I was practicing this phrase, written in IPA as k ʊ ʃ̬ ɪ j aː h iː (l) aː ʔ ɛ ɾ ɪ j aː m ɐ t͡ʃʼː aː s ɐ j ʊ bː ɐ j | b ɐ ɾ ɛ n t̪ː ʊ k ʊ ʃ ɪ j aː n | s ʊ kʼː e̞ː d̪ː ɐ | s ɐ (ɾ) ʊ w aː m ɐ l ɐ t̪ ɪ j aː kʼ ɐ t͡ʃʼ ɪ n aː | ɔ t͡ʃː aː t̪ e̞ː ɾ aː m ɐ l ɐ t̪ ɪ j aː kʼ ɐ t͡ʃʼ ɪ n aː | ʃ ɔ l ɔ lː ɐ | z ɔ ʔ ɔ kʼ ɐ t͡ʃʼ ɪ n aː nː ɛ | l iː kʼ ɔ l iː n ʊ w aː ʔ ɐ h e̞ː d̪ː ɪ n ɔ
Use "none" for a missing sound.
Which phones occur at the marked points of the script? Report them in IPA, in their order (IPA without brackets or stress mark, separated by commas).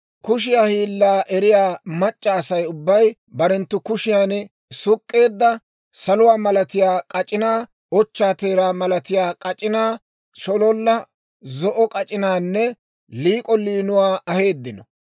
lː, l